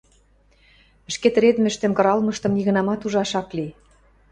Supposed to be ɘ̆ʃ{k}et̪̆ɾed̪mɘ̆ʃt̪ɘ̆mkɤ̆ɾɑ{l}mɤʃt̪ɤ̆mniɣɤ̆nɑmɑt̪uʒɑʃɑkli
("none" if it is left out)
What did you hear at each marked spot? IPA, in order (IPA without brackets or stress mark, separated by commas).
k, l